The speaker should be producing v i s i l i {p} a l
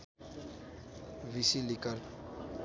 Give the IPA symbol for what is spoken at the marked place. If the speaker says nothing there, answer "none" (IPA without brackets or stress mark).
k